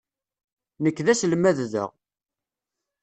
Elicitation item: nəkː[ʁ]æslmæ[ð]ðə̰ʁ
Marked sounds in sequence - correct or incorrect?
incorrect: ð, correct

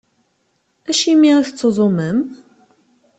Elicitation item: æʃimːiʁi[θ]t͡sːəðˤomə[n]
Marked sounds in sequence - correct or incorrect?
correct, incorrect: m

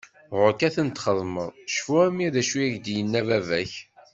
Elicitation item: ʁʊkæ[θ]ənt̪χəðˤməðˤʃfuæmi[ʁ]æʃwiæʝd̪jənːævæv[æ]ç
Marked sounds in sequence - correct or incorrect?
correct, incorrect: ð, correct

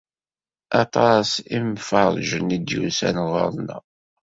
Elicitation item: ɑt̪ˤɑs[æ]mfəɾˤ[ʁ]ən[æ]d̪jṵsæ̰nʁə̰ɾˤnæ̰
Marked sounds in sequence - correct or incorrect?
incorrect: i, incorrect: ʒ, incorrect: i

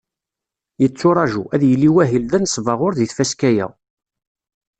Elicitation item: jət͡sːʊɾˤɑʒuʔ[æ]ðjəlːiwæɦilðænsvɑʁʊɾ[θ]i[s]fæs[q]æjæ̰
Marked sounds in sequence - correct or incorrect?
correct, incorrect: ð, incorrect: θ, incorrect: k

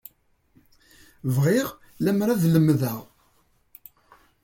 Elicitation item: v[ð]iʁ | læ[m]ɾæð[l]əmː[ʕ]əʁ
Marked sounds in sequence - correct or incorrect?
incorrect: ʁ, correct, correct, incorrect: ð

